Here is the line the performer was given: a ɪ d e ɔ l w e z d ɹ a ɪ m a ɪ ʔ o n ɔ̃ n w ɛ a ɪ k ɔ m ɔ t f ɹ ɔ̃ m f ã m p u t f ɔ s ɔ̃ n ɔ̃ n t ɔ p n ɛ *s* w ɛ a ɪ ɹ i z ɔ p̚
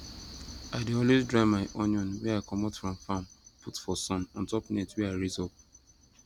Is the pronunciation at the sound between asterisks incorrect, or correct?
incorrect